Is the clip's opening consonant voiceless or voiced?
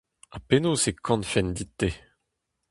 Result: voiceless